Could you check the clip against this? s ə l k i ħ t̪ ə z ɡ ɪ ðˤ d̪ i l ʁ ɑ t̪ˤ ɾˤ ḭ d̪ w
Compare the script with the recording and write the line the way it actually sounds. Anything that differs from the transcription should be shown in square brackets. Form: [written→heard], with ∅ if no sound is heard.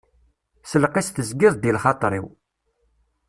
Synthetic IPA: s ə l [k→q] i [ħ→s] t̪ ə z ɡ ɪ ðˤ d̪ i l [ʁ→χ] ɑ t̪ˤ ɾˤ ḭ [d̪→∅] w